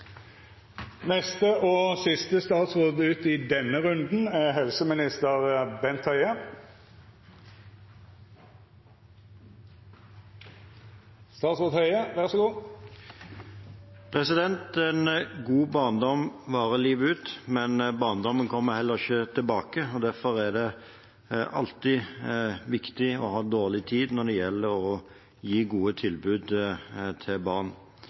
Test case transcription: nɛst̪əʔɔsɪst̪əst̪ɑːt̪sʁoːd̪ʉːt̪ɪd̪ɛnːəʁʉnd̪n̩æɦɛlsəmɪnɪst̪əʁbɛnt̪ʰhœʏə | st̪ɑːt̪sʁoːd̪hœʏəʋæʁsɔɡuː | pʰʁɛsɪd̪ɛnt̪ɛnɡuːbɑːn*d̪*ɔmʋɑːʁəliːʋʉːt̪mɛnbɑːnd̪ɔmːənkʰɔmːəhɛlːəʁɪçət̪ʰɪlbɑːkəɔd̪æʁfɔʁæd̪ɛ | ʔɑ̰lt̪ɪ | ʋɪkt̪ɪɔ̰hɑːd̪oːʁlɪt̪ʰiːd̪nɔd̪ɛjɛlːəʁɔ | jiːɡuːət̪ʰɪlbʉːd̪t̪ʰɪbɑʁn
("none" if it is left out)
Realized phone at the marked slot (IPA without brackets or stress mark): d̪